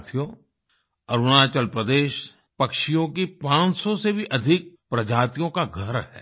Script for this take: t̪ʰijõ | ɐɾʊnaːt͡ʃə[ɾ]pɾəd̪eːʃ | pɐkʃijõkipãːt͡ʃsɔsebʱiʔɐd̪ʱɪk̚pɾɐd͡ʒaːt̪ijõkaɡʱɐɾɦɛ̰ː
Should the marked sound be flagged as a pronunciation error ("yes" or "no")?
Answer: yes